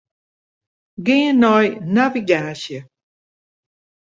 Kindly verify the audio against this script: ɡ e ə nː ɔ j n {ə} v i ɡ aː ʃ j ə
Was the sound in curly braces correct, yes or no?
no